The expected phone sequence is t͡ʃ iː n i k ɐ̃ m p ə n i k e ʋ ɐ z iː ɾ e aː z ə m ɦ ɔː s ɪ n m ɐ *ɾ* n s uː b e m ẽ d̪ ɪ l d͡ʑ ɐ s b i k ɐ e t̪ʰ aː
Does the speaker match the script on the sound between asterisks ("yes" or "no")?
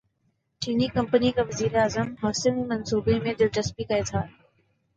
no